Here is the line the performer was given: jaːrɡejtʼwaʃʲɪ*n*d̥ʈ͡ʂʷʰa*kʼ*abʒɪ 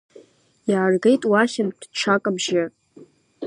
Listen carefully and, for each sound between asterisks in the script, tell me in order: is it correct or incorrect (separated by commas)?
correct, correct